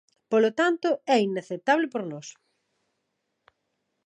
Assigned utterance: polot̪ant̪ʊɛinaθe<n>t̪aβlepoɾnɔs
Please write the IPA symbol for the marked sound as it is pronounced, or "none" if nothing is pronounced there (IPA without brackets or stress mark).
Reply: none